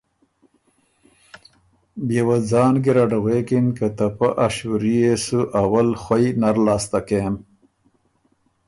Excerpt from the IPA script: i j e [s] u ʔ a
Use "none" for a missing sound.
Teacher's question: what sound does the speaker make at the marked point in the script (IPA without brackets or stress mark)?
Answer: s